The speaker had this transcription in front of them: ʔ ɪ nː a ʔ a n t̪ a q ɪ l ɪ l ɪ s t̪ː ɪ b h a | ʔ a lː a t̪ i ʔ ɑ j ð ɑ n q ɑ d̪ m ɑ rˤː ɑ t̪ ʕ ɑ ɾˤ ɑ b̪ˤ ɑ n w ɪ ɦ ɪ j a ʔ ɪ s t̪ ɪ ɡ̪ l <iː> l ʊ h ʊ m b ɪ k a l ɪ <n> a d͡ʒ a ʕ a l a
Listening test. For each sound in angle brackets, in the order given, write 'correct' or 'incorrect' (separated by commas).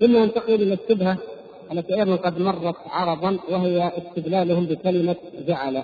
incorrect, incorrect